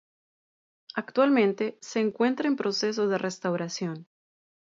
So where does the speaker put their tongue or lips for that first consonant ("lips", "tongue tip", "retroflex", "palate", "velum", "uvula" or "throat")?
velum